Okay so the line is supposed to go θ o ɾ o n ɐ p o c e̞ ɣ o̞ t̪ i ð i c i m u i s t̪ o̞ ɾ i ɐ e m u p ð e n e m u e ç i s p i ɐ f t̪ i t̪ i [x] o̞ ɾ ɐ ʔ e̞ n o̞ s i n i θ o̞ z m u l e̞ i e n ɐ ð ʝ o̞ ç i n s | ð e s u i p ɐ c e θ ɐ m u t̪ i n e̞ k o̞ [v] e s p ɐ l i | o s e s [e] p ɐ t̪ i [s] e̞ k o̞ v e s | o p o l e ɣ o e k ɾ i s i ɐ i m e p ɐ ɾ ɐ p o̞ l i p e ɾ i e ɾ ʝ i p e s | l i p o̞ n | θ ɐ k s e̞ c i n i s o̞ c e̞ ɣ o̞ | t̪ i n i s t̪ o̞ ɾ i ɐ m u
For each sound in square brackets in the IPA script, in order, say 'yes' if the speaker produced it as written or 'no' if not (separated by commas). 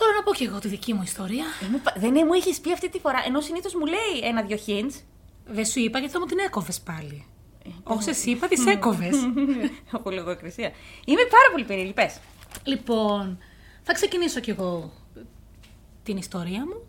no, yes, no, yes